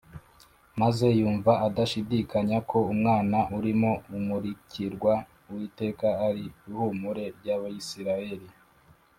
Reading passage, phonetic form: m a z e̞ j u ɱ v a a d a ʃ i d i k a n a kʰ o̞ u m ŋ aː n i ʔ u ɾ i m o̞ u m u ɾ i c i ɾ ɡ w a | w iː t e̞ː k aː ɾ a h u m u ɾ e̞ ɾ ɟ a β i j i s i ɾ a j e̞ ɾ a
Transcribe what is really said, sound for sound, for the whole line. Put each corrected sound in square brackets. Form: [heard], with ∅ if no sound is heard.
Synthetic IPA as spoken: m a z e̞ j [uː] ɱ v a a d a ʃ i d i k a [ɲ] a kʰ o̞ u m ŋ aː n [a] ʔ u ɾ i m o̞ u m u ɾ i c i ɾ ɡ w a | w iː t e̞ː k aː ɾ [i] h u m u ɾ e̞ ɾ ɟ a β [a] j i s i ɾ a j e̞ ɾ [i]